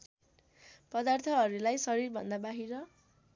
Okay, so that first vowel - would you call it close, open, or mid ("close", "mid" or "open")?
mid